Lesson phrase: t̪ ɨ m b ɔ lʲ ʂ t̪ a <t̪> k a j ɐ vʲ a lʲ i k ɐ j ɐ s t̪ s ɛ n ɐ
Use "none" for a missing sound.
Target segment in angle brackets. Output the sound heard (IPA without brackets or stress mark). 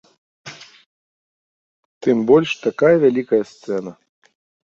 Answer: none